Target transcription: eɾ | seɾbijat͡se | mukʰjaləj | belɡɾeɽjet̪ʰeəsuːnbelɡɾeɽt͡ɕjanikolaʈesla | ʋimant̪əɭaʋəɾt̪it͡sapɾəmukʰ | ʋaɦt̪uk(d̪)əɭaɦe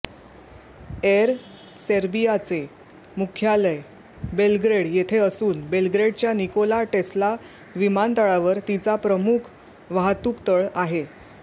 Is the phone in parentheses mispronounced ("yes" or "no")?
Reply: yes